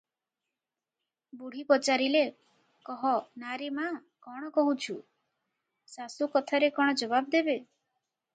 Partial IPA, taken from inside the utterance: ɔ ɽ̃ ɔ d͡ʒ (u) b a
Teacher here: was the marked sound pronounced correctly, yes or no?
no